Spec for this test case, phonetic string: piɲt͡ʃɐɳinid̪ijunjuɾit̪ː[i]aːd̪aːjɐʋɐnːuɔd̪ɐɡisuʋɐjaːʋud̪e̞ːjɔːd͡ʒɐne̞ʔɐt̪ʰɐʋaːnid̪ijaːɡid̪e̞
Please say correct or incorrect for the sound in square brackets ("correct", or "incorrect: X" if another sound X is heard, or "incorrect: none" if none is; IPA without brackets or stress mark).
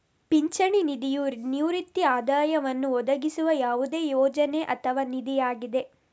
correct